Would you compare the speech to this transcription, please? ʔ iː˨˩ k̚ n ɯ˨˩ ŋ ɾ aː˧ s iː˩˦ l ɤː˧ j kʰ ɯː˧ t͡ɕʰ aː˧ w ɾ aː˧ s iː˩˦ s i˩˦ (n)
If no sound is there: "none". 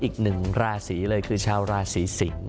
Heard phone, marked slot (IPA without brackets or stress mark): ŋ